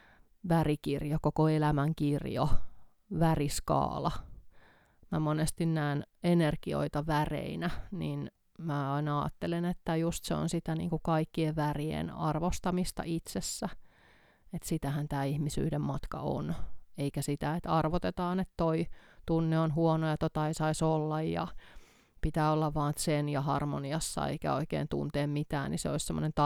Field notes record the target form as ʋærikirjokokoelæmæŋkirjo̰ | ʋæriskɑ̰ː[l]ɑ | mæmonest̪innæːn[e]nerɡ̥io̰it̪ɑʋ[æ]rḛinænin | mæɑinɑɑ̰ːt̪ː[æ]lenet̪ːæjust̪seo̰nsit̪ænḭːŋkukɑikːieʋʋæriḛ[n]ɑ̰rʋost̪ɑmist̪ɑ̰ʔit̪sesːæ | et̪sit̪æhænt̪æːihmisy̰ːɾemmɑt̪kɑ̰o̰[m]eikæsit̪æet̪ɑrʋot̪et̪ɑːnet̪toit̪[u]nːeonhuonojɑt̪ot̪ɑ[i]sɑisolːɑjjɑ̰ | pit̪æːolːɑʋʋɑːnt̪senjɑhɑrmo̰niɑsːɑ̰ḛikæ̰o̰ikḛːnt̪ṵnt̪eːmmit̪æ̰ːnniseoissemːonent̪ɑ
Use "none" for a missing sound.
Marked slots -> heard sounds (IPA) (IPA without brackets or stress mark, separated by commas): l, e, æ, e, n, n, u, i